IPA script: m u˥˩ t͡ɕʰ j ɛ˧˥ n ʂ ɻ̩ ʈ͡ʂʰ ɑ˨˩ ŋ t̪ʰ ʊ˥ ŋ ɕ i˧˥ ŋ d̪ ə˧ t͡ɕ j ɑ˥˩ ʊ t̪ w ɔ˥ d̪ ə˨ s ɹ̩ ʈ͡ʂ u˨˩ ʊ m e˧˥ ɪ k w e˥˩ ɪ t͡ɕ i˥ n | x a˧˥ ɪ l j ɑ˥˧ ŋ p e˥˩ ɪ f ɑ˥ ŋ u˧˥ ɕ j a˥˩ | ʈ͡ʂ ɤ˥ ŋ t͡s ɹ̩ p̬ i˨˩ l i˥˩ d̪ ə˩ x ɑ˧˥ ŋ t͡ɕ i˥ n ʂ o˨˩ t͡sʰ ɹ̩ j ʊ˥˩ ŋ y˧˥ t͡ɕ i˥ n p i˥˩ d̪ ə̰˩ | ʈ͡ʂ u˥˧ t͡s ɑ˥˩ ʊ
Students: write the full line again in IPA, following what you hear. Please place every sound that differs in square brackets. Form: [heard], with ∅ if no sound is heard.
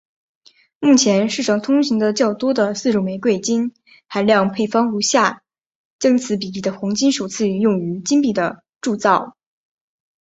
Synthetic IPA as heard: m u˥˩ t͡ɕʰ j ɛ˧˥ n ʂ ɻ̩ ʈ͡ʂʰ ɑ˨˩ ŋ t̪ʰ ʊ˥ ŋ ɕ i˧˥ ŋ d̪ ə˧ t͡ɕ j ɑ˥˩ ʊ t̪ w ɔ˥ d̪ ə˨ s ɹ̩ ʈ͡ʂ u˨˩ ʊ m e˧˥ ɪ k w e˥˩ ɪ t͡ɕ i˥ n | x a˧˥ ɪ l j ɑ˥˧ ŋ [pʰ] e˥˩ ɪ f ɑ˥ ŋ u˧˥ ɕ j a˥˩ | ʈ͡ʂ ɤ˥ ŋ [t͡sʰ] ɹ̩ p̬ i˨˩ l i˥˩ d̪ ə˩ x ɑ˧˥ ŋ t͡ɕ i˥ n ʂ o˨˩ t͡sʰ ɹ̩ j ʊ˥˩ ŋ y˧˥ t͡ɕ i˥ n p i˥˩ d̪ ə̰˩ | ʈ͡ʂ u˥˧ t͡s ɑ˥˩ ʊ

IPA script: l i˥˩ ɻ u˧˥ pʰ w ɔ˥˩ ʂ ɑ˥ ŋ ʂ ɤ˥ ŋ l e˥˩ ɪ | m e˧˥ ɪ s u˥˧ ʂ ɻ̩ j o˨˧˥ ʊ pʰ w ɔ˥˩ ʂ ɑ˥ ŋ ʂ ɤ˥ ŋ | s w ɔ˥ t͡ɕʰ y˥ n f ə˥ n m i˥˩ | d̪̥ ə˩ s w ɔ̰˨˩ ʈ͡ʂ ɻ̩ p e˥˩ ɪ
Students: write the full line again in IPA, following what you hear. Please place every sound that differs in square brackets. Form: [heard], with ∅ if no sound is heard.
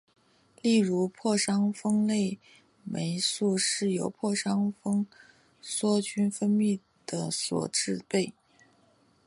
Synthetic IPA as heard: l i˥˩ ɻ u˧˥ pʰ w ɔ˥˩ ʂ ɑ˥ ŋ [f] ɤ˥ ŋ l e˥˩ ɪ | m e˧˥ ɪ s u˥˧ ʂ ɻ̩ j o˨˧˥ ʊ pʰ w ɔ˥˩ ʂ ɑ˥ ŋ [f] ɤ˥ ŋ | s w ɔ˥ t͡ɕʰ y˥ n f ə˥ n m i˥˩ | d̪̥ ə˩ s w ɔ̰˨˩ ʈ͡ʂ ɻ̩ p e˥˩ ɪ

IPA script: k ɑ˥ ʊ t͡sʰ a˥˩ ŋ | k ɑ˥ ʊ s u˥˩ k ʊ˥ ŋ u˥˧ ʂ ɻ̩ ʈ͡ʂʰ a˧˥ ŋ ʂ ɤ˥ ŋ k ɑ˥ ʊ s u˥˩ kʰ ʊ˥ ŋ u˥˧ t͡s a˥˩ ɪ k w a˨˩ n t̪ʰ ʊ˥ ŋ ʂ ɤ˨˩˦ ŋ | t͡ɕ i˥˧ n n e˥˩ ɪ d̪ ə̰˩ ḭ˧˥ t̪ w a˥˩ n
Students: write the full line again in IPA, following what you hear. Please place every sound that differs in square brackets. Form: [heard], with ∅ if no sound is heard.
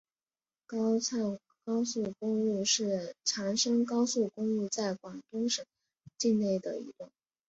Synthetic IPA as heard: k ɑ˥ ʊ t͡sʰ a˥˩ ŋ | k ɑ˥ ʊ s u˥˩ k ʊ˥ ŋ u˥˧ ʂ ɻ̩ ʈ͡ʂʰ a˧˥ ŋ ʂ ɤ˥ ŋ k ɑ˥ ʊ s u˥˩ [k] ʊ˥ ŋ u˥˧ t͡s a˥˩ ɪ k w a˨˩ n [t̪] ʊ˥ ŋ ʂ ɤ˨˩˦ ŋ | t͡ɕ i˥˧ n n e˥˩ ɪ d̪ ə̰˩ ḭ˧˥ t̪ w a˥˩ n

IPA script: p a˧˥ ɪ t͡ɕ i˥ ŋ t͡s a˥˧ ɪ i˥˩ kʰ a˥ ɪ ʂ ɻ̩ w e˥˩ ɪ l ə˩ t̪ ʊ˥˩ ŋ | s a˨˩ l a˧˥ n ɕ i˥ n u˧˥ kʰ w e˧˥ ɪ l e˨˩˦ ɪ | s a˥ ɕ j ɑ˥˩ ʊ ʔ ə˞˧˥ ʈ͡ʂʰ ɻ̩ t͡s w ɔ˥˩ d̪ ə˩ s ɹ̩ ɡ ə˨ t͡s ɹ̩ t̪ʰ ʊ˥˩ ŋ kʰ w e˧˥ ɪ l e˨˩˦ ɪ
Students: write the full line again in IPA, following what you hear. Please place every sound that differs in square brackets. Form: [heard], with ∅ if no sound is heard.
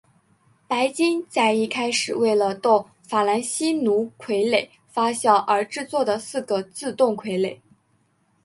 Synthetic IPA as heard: p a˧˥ ɪ t͡ɕ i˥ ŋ t͡s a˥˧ ɪ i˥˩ kʰ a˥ ɪ ʂ ɻ̩ w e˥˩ ɪ l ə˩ t̪ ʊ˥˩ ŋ | [f] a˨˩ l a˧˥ n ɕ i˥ n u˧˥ kʰ w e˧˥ ɪ l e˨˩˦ ɪ | [f] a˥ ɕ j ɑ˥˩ ʊ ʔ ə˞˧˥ [ʈ͡ʂ] ɻ̩ t͡s w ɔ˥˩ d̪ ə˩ s ɹ̩ ɡ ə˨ t͡s ɹ̩ [t̪] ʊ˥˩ ŋ kʰ w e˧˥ ɪ l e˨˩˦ ɪ

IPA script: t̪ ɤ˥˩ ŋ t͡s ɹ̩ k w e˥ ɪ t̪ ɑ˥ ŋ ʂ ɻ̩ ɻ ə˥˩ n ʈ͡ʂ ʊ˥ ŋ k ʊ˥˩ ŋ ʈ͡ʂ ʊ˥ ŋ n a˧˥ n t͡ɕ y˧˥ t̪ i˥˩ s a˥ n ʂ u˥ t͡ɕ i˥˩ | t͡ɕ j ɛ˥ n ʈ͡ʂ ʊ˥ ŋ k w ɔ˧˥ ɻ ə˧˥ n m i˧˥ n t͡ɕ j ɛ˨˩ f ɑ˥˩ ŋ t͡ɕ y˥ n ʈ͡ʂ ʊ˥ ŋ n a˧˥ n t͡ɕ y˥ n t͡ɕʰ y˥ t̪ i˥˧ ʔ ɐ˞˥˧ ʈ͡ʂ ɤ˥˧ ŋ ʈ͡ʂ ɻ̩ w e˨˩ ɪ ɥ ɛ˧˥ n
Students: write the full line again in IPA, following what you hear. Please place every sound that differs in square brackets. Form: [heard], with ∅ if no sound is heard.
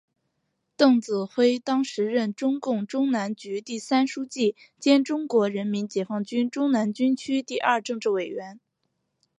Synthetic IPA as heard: t̪ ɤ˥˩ ŋ t͡s ɹ̩ [x] w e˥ ɪ t̪ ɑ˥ ŋ ʂ ɻ̩ ɻ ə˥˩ n ʈ͡ʂ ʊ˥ ŋ k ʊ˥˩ ŋ ʈ͡ʂ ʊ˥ ŋ n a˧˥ n t͡ɕ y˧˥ t̪ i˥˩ s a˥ n ʂ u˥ t͡ɕ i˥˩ | t͡ɕ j ɛ˥ n ʈ͡ʂ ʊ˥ ŋ k w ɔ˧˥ ɻ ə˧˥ n m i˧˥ n t͡ɕ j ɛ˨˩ f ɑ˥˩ ŋ t͡ɕ y˥ n ʈ͡ʂ ʊ˥ ŋ n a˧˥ n t͡ɕ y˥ n t͡ɕʰ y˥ t̪ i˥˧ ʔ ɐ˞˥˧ ʈ͡ʂ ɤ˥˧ ŋ ʈ͡ʂ ɻ̩ w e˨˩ ɪ ɥ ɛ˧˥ n

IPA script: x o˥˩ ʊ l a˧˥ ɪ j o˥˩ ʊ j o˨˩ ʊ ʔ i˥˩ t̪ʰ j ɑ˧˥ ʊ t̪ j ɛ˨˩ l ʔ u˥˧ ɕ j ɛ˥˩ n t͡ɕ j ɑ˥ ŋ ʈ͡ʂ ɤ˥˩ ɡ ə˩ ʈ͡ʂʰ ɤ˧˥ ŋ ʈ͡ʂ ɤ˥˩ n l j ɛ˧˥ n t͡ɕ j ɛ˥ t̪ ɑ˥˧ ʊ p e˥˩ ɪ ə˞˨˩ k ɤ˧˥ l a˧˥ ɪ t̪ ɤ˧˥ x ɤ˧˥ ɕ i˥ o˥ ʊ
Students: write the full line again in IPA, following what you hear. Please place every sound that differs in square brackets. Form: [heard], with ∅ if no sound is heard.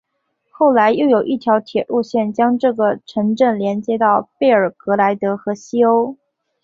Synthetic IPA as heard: x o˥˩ ʊ l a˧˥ ɪ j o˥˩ ʊ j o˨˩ ʊ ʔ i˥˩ t̪ʰ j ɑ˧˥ ʊ [t̪ʰ] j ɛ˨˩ l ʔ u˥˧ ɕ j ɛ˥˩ n t͡ɕ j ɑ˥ ŋ ʈ͡ʂ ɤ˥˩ ɡ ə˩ ʈ͡ʂʰ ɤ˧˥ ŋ ʈ͡ʂ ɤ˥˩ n l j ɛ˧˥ n t͡ɕ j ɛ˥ t̪ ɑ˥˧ ʊ p e˥˩ ɪ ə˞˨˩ k ɤ˧˥ l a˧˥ ɪ t̪ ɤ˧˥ x ɤ˧˥ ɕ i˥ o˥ ʊ

